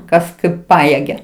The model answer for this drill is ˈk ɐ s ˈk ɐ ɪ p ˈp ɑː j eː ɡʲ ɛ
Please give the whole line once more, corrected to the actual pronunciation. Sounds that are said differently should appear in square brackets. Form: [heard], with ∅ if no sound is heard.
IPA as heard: ˈk ɐ s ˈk ɐ ɪ p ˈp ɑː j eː ɡʲ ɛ